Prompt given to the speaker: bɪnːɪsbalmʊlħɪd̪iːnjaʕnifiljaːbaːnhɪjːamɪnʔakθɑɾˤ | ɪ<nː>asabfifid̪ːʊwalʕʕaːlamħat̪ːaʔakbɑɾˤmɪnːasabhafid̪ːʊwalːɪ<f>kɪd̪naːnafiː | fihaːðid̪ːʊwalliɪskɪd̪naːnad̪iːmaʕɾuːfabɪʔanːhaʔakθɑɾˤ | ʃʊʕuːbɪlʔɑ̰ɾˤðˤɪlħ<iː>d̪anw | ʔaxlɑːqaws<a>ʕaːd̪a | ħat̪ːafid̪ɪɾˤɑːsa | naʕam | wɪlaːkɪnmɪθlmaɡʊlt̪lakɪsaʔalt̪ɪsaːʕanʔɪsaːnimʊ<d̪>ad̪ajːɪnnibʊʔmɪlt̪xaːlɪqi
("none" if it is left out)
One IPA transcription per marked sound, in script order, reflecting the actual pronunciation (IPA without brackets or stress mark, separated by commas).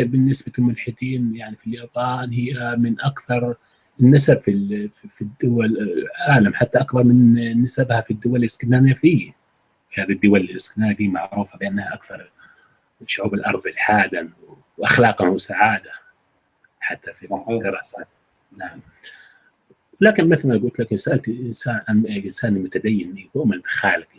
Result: nː, s, aː, a, t̪